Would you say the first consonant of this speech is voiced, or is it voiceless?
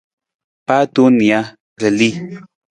voiceless